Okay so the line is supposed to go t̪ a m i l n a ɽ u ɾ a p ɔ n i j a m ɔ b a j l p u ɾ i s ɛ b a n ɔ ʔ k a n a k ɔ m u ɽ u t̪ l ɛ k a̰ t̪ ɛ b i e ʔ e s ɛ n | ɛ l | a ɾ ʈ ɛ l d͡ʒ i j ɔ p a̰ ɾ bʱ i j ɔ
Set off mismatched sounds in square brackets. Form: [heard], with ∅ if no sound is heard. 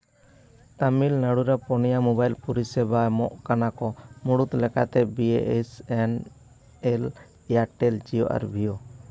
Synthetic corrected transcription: t̪ a m i l n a ɽ u ɾ a p ɔ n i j a m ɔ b a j l p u ɾ i s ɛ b a [m] ɔ ʔ k a n a k ɔ m u ɽ u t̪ l ɛ k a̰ t̪ ɛ b i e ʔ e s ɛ n | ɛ l | a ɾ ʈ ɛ l d͡ʒ i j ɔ [ʔ] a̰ ɾ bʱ i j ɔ